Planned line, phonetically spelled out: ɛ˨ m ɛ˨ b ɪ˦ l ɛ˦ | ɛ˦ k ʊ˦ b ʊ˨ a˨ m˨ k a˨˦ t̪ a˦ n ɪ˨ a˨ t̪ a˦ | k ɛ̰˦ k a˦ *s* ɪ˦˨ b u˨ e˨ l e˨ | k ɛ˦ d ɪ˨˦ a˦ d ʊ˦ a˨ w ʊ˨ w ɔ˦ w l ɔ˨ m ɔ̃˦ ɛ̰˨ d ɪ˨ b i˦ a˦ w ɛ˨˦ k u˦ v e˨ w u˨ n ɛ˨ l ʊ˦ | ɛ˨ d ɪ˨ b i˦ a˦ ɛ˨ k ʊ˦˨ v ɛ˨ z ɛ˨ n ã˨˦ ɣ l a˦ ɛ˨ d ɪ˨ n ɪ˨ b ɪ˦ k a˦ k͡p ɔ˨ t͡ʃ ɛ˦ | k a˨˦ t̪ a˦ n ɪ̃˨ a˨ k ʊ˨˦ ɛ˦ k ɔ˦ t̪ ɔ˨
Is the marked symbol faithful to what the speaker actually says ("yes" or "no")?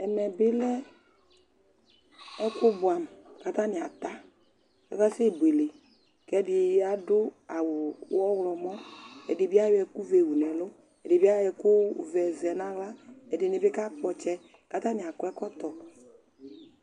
yes